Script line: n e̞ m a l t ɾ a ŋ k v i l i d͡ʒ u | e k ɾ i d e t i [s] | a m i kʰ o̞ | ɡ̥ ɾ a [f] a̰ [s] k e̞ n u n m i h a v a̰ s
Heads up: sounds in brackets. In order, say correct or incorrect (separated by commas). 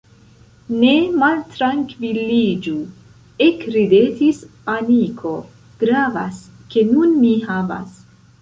correct, incorrect, correct